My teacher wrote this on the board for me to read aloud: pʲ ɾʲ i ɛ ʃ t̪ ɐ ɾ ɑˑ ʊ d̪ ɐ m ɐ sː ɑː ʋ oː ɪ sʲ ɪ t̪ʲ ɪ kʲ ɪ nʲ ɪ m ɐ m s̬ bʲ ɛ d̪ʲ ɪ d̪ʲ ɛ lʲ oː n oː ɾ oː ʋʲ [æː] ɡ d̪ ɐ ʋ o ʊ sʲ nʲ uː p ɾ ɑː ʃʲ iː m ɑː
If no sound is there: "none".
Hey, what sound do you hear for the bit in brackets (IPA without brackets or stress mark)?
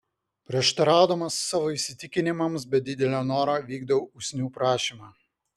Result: iː